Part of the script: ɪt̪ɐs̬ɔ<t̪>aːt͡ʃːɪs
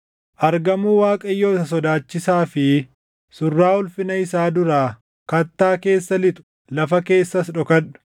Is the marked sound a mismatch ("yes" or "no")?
yes